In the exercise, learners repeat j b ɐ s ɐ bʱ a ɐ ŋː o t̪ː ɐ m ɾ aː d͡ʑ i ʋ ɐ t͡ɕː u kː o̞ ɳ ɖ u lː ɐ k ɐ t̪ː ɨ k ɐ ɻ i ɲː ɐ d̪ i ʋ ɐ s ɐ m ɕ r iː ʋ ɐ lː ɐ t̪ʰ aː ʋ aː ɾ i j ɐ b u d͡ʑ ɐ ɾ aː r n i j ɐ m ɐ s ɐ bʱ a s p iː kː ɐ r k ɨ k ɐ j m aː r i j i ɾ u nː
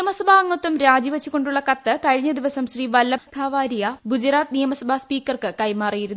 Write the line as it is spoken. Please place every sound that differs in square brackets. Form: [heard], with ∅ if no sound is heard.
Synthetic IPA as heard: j [m] ɐ s ɐ bʱ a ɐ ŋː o t̪ː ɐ m ɾ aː d͡ʑ i ʋ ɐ t͡ɕː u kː o̞ ɳ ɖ u [ɭː] ɐ k ɐ t̪ː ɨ k ɐ ɻ i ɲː ɐ d̪ i ʋ ɐ s ɐ m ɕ r iː ʋ ɐ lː ɐ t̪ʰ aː ʋ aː ɾ i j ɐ b u d͡ʑ ɐ ɾ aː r n i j ɐ m ɐ s ɐ bʱ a s p iː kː ɐ r k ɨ k ɐ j m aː r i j i ɾ u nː